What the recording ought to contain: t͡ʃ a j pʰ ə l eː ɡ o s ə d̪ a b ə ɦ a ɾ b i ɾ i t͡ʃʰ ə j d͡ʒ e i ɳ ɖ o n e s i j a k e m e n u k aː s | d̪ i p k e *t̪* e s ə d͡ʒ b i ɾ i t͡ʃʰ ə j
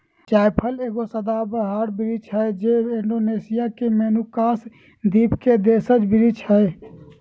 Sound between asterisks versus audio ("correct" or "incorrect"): incorrect